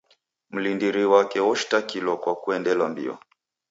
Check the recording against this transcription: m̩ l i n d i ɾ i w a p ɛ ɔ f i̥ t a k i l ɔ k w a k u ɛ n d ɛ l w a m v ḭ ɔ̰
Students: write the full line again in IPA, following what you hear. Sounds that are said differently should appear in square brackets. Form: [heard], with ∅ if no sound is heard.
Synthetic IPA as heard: m̩ l i n d i ɾ i w a [k] ɛ ɔ [ʃ] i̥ t a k i l ɔ k w a k u ɛ n d ɛ l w a m [b] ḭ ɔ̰